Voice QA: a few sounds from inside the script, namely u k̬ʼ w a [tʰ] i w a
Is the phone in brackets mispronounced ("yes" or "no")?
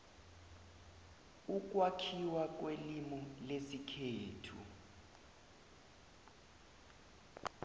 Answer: yes